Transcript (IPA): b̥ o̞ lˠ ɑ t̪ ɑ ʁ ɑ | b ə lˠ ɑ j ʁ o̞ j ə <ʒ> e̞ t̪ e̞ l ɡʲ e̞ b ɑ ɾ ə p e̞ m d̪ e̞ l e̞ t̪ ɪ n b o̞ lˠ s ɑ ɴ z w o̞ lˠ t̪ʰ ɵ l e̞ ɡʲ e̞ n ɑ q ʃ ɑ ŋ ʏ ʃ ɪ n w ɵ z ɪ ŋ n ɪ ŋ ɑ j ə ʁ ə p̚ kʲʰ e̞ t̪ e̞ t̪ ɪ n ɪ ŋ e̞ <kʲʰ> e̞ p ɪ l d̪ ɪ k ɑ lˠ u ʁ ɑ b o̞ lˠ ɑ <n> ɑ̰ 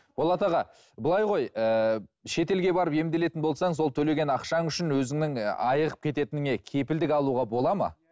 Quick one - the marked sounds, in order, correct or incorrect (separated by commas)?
incorrect, correct, incorrect